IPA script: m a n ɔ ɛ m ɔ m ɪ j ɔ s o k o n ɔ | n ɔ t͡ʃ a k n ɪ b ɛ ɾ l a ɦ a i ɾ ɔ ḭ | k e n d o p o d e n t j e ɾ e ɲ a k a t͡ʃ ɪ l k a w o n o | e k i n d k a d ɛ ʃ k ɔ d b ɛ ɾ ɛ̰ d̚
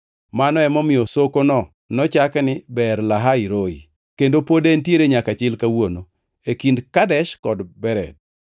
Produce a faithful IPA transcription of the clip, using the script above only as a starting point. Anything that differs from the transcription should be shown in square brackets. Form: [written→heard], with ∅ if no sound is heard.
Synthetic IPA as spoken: m a n ɔ ɛ m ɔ m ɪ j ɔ s o k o n ɔ | n ɔ t͡ʃ a k n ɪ b ɛ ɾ l a ɦ a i ɾ [ɔ→o] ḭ | k e n d o p o d e n t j e ɾ e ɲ a k a t͡ʃ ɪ l k a w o n o | e k i n d k a d ɛ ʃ k ɔ d b ɛ ɾ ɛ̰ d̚